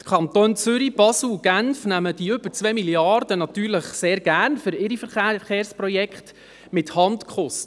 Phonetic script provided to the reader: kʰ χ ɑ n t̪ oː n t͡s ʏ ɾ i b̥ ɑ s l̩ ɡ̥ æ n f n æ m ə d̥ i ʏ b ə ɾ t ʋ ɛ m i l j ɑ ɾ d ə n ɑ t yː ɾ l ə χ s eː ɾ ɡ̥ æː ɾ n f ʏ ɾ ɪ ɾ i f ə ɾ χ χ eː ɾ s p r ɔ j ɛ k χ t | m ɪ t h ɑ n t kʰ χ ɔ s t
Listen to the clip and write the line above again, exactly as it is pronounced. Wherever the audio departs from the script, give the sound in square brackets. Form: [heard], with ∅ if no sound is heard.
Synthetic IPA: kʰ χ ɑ n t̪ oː n t͡s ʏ ɾ i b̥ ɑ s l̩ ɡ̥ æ n f n æ m ə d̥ i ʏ b ə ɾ [t͡s] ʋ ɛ m i l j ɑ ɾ d ə n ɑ t yː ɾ l ə χ s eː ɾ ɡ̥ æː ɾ n f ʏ ɾ ɪ ɾ i f ə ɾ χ χ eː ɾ s p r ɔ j ɛ k χ t | m ɪ t h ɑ n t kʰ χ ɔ s t